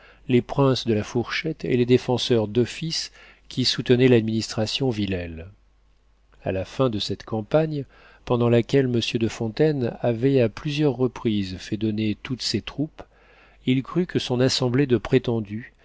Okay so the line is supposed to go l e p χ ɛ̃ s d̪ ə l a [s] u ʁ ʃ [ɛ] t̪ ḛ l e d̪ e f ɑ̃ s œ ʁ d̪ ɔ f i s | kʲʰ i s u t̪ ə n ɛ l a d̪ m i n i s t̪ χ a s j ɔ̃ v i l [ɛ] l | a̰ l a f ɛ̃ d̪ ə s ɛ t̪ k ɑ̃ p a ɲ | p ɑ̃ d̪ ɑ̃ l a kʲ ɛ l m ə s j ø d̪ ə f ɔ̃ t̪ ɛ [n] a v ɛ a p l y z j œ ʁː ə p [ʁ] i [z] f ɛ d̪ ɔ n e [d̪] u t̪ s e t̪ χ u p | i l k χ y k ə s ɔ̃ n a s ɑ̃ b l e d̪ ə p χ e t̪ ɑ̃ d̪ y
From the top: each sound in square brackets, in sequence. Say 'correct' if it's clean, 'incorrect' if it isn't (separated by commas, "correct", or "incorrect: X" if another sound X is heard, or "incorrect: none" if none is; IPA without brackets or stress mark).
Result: incorrect: f, correct, correct, correct, incorrect: χ, correct, incorrect: t̪